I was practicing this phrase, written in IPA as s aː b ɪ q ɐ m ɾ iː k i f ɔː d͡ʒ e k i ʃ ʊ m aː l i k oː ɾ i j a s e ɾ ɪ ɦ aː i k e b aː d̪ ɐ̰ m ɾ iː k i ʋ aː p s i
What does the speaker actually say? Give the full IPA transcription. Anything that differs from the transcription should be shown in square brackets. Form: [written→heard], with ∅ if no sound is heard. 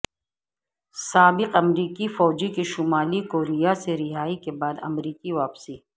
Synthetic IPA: s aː b ɪ q ɐ m ɾ iː k i f ɔː d͡ʒ [e→i] k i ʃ ʊ m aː l i k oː ɾ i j a s e ɾ ɪ ɦ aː i k e b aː d̪ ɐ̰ m ɾ iː k i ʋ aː p s i